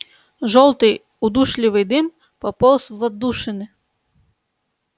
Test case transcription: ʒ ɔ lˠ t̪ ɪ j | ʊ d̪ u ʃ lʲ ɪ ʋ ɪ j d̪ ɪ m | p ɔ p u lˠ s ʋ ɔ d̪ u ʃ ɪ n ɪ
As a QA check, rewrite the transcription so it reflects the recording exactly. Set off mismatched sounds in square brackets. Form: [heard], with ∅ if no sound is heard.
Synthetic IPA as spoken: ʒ ɔ lˠ t̪ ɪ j | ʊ d̪ u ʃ lʲ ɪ ʋ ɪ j d̪ ɪ m | p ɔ p [ɔ] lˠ s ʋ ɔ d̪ u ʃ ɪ n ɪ